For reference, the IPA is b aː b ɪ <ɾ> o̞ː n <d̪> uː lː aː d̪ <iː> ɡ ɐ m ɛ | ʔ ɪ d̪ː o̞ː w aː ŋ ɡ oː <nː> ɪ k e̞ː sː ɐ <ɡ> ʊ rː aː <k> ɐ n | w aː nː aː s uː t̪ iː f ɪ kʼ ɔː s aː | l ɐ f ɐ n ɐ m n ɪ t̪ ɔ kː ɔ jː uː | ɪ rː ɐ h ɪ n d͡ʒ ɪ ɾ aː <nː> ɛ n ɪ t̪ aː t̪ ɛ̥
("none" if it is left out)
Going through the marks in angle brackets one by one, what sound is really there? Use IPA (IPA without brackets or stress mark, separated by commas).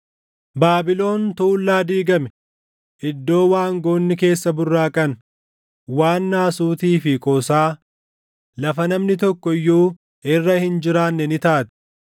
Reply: l, t̪, iː, nː, b, kʼ, nː